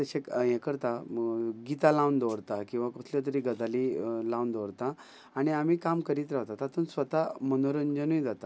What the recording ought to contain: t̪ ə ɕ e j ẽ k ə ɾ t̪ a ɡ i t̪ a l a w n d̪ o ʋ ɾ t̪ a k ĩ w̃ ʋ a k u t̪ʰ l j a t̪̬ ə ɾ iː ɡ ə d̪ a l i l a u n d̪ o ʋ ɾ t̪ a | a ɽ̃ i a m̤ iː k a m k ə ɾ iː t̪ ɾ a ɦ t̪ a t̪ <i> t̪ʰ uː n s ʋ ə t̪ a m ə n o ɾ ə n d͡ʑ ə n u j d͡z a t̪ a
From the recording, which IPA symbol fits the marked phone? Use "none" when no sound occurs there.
a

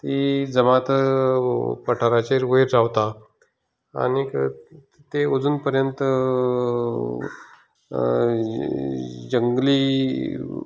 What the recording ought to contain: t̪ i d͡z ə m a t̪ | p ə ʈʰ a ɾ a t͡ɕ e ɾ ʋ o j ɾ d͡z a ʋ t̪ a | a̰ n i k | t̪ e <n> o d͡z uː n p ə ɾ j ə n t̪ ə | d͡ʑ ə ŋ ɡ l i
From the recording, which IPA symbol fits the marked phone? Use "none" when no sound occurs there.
none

